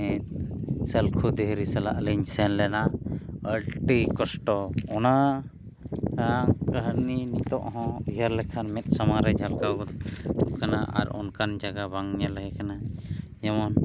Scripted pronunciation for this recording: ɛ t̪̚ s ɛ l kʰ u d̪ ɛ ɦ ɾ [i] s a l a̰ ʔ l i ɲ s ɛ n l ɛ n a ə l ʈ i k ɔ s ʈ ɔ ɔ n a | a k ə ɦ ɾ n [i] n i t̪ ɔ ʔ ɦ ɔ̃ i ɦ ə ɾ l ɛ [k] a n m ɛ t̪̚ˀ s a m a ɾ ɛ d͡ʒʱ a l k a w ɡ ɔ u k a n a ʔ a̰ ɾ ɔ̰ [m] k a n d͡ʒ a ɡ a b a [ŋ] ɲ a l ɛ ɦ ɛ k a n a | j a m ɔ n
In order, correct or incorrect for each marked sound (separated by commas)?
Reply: correct, correct, incorrect, incorrect, correct